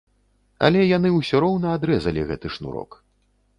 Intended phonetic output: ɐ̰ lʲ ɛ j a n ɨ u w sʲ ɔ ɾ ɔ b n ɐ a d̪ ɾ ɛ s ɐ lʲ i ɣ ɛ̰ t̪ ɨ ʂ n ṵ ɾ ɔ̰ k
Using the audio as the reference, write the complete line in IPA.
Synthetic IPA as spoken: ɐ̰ lʲ ɛ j a n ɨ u w sʲ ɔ ɾ ɔ w n ɐ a d̪ ɾ ɛ z ɐ lʲ i ɣ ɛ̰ t̪ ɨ ʂ n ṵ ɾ ɔ̰ k